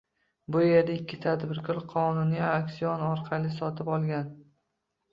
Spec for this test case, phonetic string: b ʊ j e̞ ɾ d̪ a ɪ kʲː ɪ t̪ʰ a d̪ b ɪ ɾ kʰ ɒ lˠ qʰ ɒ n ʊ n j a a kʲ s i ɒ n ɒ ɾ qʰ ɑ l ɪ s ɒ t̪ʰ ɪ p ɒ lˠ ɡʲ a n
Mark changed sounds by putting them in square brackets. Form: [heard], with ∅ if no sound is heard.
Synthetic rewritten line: b ʊ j e̞ ɾ d̪ a ɪ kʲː ɪ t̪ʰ a d̪ b ɪ ɾ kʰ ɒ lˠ qʰ ɒ n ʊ n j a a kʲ s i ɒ n ɒ ɾ qʰ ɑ l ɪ s ɒ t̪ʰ ɪ p ɒ lˠ ɡʲ a n